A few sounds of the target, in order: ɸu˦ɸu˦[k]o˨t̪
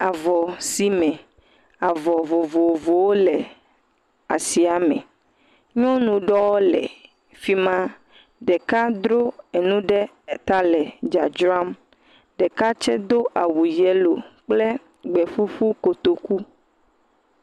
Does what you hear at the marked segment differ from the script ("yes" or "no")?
no